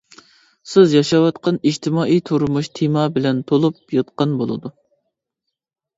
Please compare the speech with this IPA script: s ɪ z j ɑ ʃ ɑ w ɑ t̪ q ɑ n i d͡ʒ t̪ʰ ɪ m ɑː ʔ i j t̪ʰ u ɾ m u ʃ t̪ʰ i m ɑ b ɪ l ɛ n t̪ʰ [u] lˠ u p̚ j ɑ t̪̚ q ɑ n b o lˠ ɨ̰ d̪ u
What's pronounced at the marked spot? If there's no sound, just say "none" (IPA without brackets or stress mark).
o